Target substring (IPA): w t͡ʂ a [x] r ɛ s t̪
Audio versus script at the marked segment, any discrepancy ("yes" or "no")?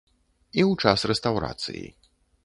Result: yes